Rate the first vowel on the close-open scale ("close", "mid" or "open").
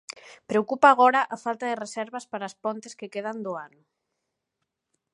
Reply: mid